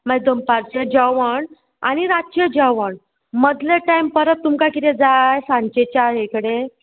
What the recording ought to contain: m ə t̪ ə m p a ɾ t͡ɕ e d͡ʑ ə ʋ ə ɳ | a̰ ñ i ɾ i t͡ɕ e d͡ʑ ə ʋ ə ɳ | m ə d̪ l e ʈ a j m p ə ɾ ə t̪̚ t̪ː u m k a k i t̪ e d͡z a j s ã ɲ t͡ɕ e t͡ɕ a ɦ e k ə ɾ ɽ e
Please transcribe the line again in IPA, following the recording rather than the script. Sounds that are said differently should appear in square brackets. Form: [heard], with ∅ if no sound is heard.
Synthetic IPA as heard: m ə [d̪] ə m p a ɾ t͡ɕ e d͡ʑ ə ʋ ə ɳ | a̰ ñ i ɾ [a] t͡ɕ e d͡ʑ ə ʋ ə ɳ | m ə d̪ l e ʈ a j m p ə ɾ ə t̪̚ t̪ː u m k a k i t̪ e d͡z a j s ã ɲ t͡ɕ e t͡ɕ a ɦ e k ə [∅] ɽ e